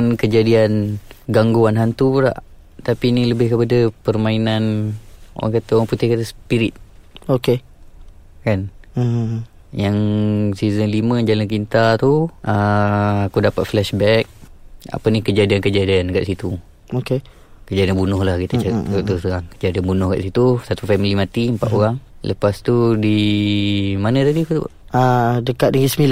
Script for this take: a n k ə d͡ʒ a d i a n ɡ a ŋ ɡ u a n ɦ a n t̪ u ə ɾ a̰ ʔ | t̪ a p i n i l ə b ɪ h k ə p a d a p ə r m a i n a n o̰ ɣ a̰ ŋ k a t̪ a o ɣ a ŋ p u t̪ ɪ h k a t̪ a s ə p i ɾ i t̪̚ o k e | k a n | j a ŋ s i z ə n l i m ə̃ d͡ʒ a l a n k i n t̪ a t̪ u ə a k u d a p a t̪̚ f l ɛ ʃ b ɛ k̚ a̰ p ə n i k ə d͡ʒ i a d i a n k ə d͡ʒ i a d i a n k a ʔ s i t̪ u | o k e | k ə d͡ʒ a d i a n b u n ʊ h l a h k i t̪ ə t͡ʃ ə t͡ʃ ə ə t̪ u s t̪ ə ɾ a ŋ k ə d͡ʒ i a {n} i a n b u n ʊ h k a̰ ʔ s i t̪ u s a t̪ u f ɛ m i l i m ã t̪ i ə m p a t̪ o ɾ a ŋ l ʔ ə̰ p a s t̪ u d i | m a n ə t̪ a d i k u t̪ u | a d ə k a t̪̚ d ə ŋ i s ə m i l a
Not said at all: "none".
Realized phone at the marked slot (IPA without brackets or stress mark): d